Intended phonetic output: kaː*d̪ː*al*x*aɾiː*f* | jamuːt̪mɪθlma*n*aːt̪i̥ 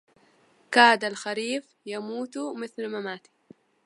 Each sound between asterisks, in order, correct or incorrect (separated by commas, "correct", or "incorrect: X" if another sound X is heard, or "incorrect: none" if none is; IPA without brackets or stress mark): incorrect: d̪, correct, correct, incorrect: m